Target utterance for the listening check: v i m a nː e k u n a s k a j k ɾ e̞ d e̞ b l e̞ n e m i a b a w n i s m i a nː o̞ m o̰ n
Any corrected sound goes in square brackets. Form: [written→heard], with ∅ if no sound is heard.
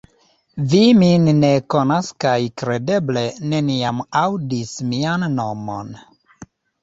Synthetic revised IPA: v i m [a→i] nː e k [u→o] n a s k a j k ɾ e̞ d e̞ b l e̞ n e [m→n] i a [b→m] a w [n→d] i s m i a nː o̞ m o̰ n